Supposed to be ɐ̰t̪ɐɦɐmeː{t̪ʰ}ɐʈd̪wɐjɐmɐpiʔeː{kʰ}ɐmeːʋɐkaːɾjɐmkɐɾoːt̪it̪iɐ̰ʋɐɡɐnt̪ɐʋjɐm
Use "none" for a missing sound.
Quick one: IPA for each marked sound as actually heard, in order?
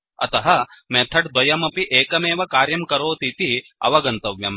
t̪ʰ, k

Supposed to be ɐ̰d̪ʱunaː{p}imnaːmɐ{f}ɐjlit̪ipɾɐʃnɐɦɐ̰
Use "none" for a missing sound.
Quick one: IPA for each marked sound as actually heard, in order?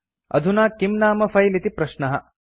k, f

